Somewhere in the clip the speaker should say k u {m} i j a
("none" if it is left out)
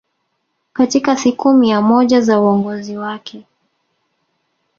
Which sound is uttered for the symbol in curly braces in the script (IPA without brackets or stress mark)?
m